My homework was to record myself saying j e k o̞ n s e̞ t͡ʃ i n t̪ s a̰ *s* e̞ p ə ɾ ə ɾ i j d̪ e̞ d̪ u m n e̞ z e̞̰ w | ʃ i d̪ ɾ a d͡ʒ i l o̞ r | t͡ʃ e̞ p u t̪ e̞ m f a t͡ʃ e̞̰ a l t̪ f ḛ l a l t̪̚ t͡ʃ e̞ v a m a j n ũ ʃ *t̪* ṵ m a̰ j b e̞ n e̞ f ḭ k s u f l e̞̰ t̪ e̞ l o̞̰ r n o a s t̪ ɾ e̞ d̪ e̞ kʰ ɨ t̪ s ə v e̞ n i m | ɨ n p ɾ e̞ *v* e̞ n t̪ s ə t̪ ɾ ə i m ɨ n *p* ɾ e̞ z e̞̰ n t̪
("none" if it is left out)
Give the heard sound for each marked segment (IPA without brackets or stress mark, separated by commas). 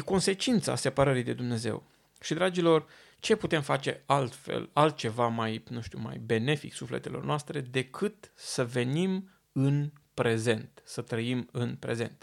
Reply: s, t̪, z, p